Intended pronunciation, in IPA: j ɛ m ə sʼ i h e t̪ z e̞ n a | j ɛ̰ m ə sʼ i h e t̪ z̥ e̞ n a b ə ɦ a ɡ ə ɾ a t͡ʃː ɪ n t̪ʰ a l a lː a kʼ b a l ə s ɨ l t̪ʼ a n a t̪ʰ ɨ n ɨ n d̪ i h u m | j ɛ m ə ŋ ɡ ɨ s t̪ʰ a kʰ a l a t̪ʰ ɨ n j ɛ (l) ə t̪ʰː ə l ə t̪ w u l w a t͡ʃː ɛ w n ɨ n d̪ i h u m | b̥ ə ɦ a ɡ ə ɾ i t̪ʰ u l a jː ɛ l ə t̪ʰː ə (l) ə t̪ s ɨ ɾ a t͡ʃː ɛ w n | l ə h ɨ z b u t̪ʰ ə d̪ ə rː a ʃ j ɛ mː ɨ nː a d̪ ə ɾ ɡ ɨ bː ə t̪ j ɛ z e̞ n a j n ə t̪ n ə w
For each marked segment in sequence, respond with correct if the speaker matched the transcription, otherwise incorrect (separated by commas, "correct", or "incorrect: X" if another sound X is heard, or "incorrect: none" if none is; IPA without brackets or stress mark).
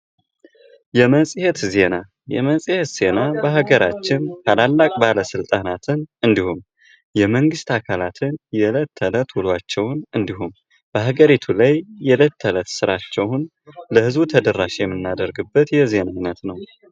correct, correct